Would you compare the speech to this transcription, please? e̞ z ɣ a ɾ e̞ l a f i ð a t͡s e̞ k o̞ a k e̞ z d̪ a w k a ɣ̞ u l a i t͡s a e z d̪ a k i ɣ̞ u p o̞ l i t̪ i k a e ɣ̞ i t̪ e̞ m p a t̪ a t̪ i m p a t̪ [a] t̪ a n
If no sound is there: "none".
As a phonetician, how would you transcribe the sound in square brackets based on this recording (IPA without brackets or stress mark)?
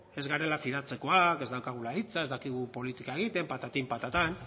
a